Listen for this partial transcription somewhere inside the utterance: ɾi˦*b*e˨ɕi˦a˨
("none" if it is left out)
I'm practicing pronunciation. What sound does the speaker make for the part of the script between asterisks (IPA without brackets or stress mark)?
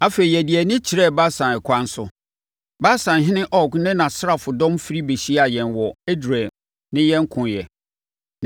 b